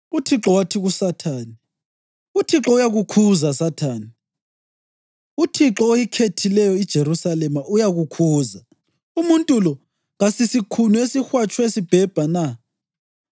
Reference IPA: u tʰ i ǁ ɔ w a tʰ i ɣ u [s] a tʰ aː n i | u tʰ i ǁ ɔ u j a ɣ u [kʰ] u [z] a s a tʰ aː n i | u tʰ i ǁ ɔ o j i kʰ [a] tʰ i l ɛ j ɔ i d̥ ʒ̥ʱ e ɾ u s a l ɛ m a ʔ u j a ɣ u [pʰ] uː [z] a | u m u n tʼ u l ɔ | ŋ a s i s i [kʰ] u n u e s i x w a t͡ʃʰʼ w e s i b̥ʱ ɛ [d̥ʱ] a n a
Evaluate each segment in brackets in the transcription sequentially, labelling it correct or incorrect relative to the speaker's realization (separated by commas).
correct, correct, correct, incorrect, incorrect, correct, correct, incorrect